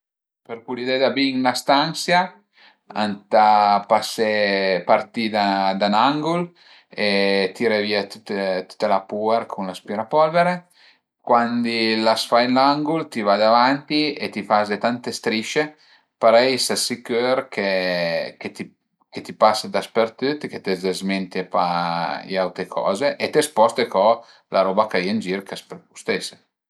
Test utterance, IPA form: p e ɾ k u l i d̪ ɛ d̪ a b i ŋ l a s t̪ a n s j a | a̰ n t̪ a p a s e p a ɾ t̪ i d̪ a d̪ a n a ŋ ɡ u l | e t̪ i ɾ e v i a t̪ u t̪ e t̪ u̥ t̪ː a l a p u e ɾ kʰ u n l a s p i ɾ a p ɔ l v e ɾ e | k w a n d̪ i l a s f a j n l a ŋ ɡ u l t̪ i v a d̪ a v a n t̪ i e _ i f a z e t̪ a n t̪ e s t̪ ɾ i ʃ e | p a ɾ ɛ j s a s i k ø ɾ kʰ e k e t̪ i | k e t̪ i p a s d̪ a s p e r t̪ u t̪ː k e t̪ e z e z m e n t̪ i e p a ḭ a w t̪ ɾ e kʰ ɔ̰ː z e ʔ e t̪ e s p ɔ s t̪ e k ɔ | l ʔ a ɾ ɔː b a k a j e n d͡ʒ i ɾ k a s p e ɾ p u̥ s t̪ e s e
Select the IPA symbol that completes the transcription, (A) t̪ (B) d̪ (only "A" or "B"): A